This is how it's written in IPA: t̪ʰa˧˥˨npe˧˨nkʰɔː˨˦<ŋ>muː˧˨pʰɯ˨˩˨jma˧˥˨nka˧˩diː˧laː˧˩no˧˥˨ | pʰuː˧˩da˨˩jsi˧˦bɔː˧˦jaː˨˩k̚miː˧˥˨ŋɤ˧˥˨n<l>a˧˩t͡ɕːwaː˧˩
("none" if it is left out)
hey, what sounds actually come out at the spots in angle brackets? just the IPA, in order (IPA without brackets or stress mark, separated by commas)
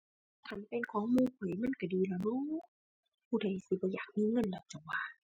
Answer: ŋ, l